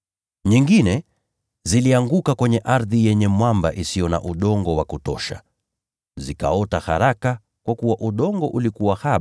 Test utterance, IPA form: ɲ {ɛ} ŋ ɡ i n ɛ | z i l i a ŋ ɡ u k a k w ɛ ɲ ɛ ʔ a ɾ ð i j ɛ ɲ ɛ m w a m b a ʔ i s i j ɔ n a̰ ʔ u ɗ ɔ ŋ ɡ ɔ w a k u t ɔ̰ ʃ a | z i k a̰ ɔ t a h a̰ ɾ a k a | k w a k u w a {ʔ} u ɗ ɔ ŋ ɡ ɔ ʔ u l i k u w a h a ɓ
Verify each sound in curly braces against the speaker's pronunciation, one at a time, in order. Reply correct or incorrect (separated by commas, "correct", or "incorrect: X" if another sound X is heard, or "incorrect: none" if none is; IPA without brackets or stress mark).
incorrect: i, correct